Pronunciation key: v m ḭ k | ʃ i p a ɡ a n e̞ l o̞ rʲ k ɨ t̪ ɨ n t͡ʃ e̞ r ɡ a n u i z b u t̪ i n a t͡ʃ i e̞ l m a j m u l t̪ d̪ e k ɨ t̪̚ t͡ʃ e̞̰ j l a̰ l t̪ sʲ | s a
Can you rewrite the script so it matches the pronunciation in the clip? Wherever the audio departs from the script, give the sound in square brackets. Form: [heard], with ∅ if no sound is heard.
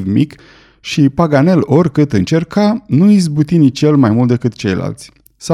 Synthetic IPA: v m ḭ k | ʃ i p a ɡ a n e̞ l o̞ rʲ k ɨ t̪ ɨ n t͡ʃ e̞ r [k] a n u i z b u t̪ i n [i] t͡ʃ [j] e̞ l m a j m u l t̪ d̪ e k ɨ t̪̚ t͡ʃ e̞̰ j l a̰ l t̪ sʲ | s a